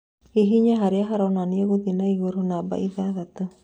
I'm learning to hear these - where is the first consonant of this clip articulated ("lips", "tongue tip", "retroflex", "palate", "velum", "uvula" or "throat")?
throat